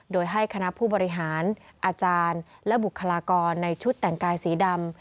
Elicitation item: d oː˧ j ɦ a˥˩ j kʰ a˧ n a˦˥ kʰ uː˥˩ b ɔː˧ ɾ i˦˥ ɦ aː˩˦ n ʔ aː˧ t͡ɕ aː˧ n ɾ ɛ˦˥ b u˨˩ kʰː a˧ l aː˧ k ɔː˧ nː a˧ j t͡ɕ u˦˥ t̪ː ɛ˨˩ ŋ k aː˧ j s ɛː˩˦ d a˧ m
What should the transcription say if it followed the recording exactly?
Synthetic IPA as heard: d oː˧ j ɦ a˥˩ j kʰ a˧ n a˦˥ pʰ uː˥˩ b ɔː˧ ɾ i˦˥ ɦ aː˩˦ n ʔ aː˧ t͡ɕ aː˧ n l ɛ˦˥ b u˨˩ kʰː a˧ l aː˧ k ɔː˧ nː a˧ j t͡ɕʰ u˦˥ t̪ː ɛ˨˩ ŋ k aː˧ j s iː˩˦ d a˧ m

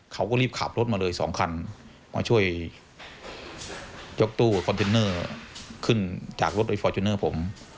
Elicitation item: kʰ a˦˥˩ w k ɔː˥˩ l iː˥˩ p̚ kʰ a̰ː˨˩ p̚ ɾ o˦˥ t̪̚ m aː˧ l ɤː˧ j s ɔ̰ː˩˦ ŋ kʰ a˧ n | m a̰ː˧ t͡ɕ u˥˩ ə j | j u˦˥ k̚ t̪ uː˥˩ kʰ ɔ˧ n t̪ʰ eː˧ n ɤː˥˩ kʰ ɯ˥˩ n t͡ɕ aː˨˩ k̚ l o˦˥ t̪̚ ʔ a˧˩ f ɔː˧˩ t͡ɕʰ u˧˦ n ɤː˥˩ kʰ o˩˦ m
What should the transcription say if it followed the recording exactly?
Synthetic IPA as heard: kʰ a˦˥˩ w k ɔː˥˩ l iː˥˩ p̚ kʰ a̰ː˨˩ p̚ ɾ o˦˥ t̪̚ m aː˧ l ɤː˧ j s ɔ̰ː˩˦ ŋ kʰ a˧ n | m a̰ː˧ t͡ɕʰ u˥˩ ə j | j o˦˥ k̚ t̪ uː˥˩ kʰ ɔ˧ n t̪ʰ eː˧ n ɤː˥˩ kʰ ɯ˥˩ n t͡ɕ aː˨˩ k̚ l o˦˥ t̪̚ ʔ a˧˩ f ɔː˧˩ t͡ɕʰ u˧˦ n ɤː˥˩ pʰ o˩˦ m

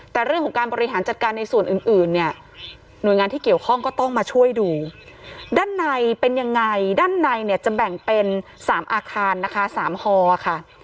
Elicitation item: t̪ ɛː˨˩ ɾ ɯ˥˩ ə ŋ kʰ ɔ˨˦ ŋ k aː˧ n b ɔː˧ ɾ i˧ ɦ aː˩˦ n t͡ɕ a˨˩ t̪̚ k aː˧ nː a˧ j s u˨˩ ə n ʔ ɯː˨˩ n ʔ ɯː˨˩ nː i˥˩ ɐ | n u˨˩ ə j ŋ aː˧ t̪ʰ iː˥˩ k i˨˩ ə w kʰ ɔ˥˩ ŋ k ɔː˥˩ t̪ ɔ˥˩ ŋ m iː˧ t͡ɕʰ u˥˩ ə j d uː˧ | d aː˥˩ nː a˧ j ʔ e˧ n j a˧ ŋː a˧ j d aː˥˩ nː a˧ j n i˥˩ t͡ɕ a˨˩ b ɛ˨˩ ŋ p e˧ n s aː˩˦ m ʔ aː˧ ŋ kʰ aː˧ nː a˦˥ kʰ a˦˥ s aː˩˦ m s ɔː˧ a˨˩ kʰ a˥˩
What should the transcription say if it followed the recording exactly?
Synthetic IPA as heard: t̪ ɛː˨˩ ɾ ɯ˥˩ ə ŋ kʰ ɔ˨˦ ŋ k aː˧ n b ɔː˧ ɾ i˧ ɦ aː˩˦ n t͡ɕ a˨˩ t̪̚ k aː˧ nː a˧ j s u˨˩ ə n ʔ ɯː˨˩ n ʔ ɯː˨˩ nː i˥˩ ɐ | n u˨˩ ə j ŋ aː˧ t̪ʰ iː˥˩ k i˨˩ ə w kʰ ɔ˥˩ ŋ k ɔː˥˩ t̪ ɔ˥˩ ŋ m aː˧ t͡ɕʰ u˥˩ ə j d uː˧ | d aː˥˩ nː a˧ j p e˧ n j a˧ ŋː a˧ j d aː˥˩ nː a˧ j n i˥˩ t͡ɕ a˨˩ b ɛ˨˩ ŋ p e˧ n s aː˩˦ m ʔ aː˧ kʰ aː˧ nː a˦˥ kʰ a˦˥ s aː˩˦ m h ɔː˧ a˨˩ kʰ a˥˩

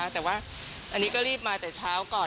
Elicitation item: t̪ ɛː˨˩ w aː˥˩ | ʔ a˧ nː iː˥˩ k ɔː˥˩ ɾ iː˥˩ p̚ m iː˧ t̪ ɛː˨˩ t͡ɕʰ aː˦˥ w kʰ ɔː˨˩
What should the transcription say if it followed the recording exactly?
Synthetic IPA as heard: t̪ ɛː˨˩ w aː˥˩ | ʔ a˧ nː iː˦˥ k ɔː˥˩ ɾ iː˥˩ p̚ m aː˧ t̪ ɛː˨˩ t͡ɕʰ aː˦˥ w k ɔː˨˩

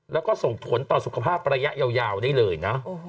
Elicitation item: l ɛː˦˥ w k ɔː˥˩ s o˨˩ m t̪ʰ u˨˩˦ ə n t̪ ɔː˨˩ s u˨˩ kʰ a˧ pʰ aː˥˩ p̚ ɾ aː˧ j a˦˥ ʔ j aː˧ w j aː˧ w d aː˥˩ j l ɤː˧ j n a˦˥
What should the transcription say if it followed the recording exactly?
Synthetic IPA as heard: l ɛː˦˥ w k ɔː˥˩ s o˨˩ ŋ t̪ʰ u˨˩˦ ə n t̪ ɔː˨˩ s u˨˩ kʰ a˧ pʰ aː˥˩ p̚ ɾ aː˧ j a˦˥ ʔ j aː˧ w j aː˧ w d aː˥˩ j l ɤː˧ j n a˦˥

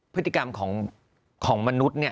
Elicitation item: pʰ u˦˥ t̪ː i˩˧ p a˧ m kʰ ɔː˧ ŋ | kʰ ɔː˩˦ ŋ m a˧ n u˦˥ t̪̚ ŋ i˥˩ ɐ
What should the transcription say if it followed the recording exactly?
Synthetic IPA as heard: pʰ ɯ˦˥ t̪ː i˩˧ k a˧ m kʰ ɔː˩˦ ŋ | kʰ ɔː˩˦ ŋ m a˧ n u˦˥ t̪̚ n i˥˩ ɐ

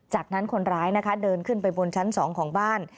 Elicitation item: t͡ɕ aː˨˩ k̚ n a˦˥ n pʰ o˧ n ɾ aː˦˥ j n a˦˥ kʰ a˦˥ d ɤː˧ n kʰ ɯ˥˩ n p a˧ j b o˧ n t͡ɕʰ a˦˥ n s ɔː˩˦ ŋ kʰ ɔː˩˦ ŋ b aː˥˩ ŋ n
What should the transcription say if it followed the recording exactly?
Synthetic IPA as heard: t͡ɕ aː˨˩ k̚ n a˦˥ n kʰ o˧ n ɾ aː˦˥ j n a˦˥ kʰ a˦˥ d ɤː˧ n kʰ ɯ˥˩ n p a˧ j b o˧ n t͡ɕʰ a˦˥ n s ɔː˩˦ ŋ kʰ ɔː˩˦ ŋ b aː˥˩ n

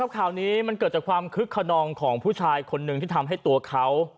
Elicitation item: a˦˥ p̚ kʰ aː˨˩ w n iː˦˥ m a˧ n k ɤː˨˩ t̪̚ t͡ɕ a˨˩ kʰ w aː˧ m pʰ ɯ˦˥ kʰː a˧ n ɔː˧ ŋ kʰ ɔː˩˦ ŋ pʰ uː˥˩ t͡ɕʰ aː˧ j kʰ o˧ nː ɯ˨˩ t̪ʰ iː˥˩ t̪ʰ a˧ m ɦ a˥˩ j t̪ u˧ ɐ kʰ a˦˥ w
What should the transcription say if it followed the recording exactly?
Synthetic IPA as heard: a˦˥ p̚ kʰ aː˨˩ w n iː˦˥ m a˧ n k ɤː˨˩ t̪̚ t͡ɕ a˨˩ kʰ w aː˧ m kʰ ɯ˦˥ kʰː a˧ n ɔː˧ ŋ kʰ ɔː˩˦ ŋ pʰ uː˥˩ t͡ɕʰ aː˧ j kʰ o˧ nː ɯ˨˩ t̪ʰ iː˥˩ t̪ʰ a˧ m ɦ a˥˩ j t̪ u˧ ɐ kʰ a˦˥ w

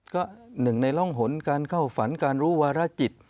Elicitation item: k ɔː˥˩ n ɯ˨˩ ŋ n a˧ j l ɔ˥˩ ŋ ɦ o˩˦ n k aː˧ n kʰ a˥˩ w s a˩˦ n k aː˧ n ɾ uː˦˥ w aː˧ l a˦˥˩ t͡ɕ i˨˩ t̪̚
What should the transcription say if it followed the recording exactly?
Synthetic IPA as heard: k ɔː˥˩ n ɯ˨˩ ŋ n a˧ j l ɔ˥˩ ŋ ɦ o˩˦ n k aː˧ n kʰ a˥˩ w f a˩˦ n k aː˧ n ɾ uː˦˥ w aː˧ ɾ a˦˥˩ t͡ɕ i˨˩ t̪̚

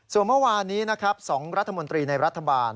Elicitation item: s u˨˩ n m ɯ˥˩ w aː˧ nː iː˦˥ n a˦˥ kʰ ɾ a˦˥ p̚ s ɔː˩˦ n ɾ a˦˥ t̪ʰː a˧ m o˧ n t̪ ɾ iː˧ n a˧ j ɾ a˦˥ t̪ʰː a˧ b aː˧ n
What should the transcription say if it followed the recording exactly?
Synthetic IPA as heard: s u˨˩ n m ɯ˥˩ w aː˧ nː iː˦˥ n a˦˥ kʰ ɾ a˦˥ p̚ s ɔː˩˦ ŋ ɾ a˦˥ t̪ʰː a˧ m o˧ n t̪ ɾ iː˧ n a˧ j ɾ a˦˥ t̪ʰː a˧ b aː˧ n

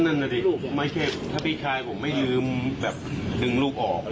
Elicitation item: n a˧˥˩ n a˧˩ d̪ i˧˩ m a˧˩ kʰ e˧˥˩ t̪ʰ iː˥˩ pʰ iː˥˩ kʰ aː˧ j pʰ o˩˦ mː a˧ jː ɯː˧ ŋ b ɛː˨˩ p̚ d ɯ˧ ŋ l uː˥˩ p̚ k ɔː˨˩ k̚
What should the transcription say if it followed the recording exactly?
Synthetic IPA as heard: n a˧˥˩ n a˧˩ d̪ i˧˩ m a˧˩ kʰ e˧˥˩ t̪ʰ aː˥˩ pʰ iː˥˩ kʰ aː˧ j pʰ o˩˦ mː a˥˩ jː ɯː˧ m b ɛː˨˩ p̚ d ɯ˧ ŋ l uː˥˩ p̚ ʔ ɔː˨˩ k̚

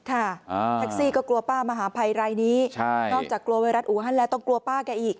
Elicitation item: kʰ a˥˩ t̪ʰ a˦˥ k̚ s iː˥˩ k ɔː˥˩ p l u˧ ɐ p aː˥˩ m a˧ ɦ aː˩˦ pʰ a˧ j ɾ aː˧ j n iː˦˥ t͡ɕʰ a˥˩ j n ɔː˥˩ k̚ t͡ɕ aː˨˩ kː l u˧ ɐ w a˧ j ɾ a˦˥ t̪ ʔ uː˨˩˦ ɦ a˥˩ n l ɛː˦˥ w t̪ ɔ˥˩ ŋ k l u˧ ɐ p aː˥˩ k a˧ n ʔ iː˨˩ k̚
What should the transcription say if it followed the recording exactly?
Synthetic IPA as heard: kʰ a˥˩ t̪ʰ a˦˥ k̚ s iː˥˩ k ɔː˥˩ k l u˧ ɐ p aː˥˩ m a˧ ɦ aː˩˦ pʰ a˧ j ɾ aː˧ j n iː˦˥ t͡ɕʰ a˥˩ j n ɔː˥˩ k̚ t͡ɕ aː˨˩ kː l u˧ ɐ w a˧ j ɾ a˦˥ t̪ ʔ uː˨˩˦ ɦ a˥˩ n l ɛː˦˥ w t̪ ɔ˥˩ ŋ k l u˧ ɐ p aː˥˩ k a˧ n ʔ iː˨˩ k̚

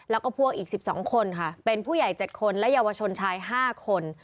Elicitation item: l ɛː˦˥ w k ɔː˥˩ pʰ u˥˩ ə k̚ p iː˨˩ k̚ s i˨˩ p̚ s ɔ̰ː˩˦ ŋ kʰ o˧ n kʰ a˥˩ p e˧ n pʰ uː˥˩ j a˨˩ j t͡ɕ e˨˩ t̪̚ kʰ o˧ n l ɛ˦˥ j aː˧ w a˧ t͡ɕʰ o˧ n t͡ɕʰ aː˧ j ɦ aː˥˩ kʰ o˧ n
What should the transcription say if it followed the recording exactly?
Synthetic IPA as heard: l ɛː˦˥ w k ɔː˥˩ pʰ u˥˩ ə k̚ ʔ iː˨˩ k̚ s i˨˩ p̚ s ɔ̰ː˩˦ ŋ kʰ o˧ n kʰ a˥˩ p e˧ n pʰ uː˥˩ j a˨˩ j t͡ɕ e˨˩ t̪̚ kʰ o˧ n l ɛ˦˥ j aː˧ w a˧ t͡ɕʰ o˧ n t͡ɕʰ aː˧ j ɦ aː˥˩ kʰ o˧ n

